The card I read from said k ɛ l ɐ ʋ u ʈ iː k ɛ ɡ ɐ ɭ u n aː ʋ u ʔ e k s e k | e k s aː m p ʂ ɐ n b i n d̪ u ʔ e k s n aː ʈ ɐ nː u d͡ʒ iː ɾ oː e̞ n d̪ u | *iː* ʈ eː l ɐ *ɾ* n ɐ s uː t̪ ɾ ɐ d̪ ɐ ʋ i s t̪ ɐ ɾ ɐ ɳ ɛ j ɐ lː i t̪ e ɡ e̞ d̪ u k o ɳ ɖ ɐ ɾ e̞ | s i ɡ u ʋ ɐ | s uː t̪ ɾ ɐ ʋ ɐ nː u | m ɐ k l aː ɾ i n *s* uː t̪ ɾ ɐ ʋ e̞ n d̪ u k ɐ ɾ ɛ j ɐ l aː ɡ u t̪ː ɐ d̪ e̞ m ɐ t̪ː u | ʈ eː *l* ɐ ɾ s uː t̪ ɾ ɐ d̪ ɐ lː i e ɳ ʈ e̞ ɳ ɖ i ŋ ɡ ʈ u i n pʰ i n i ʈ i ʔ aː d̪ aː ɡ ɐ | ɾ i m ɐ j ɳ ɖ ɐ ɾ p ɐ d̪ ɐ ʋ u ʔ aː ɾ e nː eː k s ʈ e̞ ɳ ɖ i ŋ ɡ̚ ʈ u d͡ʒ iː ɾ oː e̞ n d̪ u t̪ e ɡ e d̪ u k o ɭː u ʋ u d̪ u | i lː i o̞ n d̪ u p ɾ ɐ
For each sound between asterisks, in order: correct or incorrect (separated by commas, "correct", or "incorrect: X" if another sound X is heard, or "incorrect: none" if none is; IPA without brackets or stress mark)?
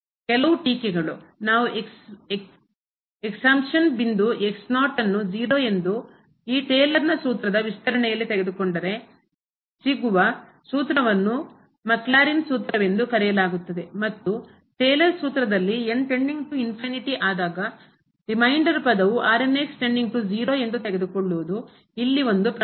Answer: correct, correct, correct, correct